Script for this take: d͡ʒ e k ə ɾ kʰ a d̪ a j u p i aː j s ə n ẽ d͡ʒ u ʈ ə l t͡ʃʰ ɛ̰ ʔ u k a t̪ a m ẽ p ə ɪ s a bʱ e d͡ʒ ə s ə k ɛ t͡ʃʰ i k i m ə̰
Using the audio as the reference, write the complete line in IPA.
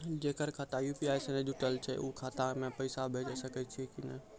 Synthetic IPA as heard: d͡ʒ e k ə ɾ kʰ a t̪ a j u p i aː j s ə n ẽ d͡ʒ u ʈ ə l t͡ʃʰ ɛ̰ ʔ u kʰ a t̪ a m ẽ p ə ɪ s a bʱ e d͡ʒ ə s ə k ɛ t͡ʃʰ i k i n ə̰